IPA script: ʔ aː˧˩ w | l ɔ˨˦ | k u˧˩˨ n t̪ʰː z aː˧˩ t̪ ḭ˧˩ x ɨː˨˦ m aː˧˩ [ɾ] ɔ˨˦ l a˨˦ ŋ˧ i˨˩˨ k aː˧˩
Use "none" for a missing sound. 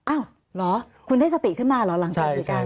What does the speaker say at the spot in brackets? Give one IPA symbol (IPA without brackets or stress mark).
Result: l